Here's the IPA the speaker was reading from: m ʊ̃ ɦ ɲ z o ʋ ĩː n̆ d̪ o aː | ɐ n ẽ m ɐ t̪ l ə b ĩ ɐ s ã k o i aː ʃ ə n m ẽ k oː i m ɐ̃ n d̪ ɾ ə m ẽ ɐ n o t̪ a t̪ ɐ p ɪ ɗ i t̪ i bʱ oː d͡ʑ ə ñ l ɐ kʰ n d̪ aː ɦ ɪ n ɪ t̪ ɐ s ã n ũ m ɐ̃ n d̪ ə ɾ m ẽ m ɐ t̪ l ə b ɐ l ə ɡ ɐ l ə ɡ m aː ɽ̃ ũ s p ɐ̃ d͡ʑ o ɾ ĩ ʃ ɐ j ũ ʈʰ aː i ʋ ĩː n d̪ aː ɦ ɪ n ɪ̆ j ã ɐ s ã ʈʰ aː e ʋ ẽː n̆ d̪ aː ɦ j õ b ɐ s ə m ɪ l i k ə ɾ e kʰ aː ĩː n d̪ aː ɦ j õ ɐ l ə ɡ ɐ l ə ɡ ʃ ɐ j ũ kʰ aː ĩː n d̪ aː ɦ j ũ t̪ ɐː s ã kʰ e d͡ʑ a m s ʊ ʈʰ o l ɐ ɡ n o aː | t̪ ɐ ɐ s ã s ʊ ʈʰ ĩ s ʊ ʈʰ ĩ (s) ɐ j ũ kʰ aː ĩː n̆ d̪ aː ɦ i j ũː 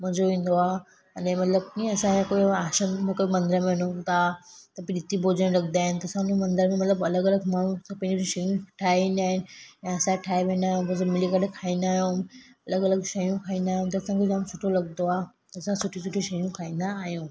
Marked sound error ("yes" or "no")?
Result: yes